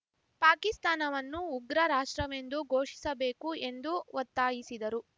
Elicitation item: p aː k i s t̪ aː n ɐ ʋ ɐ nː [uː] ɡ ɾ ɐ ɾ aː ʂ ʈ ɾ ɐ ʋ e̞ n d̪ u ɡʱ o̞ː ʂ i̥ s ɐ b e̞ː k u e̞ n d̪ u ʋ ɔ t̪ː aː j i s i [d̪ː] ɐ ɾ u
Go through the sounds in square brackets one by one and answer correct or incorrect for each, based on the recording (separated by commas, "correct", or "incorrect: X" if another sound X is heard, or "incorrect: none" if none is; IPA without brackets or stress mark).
correct, incorrect: d̪